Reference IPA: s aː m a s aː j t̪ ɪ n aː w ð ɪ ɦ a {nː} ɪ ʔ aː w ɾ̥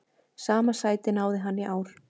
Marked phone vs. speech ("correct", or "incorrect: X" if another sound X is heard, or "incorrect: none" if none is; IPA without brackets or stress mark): correct